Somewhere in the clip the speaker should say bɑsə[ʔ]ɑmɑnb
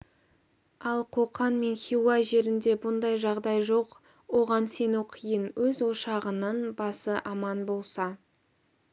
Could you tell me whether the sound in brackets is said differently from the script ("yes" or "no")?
no